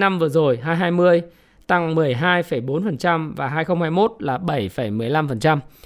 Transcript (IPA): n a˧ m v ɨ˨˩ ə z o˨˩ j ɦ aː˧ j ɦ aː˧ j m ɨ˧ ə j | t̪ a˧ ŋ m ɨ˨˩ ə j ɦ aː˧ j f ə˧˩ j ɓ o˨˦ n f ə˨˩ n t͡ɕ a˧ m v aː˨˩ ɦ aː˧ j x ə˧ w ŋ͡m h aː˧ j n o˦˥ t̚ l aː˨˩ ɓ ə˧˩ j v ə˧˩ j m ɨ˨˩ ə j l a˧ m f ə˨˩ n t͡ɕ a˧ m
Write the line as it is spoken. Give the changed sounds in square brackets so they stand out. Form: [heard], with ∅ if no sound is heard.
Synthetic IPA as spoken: n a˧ m v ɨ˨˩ ə z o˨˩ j ɦ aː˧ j ɦ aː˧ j m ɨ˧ ə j | t̪ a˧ ŋ m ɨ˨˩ ə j ɦ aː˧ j f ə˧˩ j ɓ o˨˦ n f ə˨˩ n t͡ɕ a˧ m v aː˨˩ ɦ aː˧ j x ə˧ w ŋ͡m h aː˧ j [m] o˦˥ t̚ l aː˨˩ ɓ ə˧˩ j [f] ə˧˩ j m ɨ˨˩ ə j l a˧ m f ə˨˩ n t͡ɕ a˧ m